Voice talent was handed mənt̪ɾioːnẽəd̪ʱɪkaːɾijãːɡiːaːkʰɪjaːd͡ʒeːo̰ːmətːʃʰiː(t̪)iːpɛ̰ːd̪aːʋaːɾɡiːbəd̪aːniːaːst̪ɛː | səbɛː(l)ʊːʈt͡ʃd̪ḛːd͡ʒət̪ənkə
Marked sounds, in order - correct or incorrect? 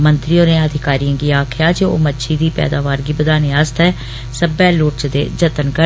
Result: incorrect: d̪, correct

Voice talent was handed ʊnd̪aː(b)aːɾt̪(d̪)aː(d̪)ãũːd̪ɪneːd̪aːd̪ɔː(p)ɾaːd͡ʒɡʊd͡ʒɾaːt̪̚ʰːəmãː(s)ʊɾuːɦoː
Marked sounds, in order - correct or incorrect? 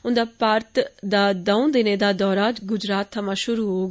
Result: incorrect: p, correct, correct, incorrect: none, incorrect: ʃ

